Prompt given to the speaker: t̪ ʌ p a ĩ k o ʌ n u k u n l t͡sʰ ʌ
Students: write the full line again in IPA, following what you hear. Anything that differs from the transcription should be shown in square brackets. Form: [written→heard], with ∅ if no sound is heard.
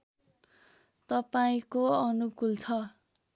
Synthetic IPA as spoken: t̪ ʌ p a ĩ k o ʌ n u k u [n→∅] l t͡sʰ ʌ

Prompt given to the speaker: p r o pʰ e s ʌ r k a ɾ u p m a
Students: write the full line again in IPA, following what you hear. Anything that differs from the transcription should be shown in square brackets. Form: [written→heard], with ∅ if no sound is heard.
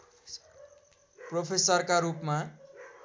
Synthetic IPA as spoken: p r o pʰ e s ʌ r k a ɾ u p m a

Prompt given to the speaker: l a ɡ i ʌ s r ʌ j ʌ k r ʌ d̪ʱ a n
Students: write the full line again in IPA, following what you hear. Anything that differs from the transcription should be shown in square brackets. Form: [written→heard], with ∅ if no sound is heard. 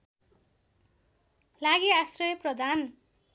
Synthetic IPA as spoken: l a ɡ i [ʌ→a] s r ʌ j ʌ [k→p] r ʌ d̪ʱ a n

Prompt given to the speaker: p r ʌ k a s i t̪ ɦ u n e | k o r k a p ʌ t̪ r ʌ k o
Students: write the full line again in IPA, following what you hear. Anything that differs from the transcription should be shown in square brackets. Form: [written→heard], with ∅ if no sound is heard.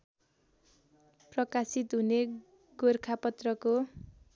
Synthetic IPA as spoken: p r ʌ k a s i t̪ ɦ u n e | [k→ɡ] o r [k→kʰ] a p ʌ t̪ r ʌ k o

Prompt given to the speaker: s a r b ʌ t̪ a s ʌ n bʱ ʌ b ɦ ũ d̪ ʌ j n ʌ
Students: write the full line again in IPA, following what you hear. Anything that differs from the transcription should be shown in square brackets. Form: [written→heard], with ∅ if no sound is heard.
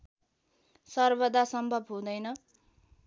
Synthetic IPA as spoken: s [a→ʌ] r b ʌ [t̪→d̪] a s ʌ [n→m] bʱ ʌ b ɦ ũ d̪ ʌ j n ʌ

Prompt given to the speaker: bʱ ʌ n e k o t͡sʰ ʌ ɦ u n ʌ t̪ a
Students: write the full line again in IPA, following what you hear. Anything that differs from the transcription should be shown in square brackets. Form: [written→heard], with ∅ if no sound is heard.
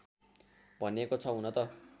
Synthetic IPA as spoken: bʱ ʌ n e k o t͡sʰ ʌ ɦ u n ʌ t̪ [a→ʌ]

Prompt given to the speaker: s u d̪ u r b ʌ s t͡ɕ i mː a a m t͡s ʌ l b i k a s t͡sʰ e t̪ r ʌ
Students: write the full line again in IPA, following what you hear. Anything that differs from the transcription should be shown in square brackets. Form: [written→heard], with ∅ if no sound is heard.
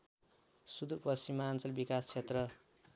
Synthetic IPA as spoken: s u d̪ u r [b→p] ʌ s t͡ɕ i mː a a [m→n] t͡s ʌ l b i k a s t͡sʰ e t̪ r ʌ

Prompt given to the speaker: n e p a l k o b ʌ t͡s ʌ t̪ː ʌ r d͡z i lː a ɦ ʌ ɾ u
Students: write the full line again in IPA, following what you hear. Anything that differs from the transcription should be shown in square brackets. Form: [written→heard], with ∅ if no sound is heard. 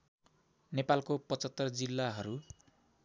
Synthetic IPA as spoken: n e p a l k o [b→p] ʌ t͡s ʌ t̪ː ʌ r d͡z i lː a ɦ ʌ ɾ u

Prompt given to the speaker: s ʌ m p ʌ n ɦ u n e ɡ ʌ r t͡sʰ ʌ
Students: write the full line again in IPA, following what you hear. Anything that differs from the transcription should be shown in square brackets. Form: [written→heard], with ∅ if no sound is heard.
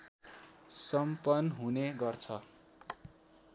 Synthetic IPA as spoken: s ʌ m p ʌ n ɦ u n e ɡ ʌ r t͡sʰ ʌ

